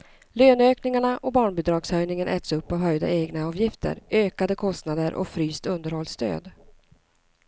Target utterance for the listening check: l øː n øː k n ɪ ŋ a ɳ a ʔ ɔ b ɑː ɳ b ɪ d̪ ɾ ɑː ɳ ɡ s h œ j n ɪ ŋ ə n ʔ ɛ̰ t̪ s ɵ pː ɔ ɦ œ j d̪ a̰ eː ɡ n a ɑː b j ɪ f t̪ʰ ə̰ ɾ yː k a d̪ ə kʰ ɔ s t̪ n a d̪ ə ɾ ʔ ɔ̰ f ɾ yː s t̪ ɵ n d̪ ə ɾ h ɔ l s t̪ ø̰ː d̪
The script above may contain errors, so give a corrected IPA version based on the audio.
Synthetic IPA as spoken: l øː n øː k n ɪ ŋ a ɳ a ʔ ɔ b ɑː ɳ b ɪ d̪ ɾ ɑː ɡ s h œ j n ɪ ŋ ə n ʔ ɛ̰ t̪ s ɵ pː ɔ ɦ œ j d̪ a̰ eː ɡ n a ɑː v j ɪ f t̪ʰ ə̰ ɾ øː k a d̪ ə kʰ ɔ s t̪ n a d̪ ə ɾ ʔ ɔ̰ f ɾ yː s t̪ ɵ n d̪ ə ɾ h ɔ l s t̪ ø̰ː d̪